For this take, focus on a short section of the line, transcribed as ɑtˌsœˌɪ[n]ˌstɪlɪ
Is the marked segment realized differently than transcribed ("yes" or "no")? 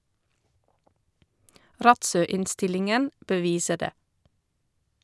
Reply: no